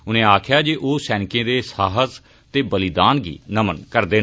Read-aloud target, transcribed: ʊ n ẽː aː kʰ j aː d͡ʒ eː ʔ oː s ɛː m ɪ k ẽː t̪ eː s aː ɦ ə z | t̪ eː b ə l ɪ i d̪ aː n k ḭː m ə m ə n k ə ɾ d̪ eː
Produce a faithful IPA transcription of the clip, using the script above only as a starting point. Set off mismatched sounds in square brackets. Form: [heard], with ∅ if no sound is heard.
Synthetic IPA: ʊ n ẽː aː kʰ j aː d͡ʒ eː ʔ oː s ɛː [n] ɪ k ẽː [d̪] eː s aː ɦ ə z | t̪ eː b ə l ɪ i d̪ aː n [ɡ] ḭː [n] ə m ə n k ə ɾ d̪ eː